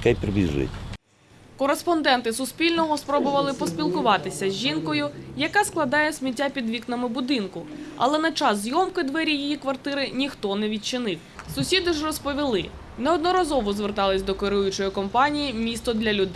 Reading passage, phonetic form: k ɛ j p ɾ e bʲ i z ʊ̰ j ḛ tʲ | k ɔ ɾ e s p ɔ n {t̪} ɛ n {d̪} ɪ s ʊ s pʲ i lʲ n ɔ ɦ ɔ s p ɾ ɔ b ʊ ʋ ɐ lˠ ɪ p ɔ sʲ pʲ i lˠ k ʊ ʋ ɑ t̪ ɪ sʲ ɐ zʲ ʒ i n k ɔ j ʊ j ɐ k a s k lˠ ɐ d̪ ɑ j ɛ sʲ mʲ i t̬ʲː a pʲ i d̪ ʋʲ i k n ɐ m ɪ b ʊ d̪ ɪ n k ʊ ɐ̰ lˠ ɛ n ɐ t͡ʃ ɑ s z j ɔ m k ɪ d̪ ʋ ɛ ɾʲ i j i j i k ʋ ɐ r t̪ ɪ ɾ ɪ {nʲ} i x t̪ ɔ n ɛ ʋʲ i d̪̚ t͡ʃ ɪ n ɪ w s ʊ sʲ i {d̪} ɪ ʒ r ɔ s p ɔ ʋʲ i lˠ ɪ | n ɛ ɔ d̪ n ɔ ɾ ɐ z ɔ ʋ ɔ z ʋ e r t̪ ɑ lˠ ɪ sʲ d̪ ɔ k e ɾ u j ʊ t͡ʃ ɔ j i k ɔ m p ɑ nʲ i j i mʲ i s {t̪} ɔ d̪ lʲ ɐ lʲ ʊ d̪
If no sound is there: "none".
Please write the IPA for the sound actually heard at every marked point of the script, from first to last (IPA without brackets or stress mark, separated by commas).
d̪, t̪, nʲ, d̪, t̪